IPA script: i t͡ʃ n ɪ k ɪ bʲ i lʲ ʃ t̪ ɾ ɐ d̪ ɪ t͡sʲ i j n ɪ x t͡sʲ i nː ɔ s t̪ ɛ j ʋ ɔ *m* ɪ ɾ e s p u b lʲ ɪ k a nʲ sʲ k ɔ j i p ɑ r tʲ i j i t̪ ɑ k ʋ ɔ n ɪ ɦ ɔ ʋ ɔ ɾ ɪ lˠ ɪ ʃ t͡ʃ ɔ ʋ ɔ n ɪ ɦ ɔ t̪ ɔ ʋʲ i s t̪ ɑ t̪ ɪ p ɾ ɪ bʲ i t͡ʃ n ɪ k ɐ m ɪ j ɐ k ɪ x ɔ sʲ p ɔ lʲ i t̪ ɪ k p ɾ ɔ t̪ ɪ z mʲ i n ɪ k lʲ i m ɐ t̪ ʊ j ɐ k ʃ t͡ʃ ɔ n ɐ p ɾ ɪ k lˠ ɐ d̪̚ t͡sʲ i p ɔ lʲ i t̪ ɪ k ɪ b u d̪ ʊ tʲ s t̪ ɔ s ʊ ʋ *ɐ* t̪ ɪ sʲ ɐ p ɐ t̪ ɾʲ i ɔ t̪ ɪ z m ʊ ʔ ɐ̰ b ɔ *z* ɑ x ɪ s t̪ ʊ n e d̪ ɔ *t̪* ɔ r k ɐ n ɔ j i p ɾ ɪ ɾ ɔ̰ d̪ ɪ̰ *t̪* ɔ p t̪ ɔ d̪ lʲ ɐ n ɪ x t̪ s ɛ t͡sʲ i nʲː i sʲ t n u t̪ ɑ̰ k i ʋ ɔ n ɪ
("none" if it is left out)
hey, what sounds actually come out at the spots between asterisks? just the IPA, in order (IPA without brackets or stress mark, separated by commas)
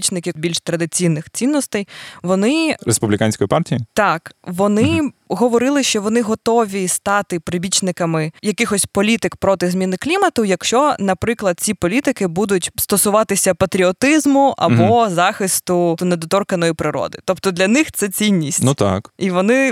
n, ɑ, z, t̪, t̪